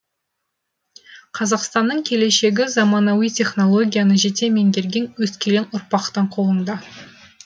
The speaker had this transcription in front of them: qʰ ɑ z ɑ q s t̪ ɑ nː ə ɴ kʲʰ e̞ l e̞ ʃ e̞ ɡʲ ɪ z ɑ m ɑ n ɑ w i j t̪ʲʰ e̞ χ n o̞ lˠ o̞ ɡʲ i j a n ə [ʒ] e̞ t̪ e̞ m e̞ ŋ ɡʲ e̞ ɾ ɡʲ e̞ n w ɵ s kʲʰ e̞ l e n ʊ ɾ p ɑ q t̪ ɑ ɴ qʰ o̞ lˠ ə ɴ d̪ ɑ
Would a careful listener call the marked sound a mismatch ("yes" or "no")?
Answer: no